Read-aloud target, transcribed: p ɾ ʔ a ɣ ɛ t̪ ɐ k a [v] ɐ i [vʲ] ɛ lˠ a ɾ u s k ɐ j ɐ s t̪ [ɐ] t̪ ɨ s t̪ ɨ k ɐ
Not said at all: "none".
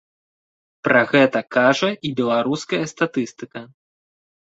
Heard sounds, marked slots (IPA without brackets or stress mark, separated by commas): ʐ, bʲ, a